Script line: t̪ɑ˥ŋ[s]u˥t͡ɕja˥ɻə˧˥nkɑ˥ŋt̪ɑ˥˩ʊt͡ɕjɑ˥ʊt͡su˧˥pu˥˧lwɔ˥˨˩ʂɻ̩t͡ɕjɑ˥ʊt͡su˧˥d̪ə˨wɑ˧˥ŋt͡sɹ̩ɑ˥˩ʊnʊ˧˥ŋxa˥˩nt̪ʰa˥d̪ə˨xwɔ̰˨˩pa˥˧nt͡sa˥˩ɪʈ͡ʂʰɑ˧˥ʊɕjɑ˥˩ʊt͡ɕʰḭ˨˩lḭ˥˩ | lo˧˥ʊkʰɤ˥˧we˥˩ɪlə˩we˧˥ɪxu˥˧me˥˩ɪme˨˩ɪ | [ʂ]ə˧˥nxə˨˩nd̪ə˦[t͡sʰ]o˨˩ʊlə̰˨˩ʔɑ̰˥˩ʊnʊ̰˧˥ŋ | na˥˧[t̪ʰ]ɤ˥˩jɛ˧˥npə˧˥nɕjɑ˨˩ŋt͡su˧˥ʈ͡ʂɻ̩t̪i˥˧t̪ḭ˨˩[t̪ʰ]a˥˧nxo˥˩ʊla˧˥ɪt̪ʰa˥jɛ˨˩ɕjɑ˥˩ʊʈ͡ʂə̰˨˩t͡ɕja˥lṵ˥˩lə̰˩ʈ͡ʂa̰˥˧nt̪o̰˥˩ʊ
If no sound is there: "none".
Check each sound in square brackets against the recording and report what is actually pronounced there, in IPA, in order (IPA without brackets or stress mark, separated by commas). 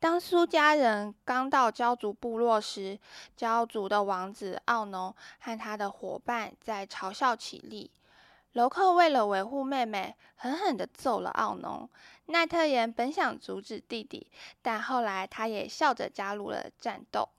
s, x, t͡s, t̪ʰ, t̪